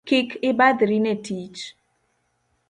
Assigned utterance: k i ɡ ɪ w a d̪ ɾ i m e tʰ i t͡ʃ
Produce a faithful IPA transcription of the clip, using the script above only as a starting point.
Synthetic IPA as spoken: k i k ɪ b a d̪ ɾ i n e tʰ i t͡ʃ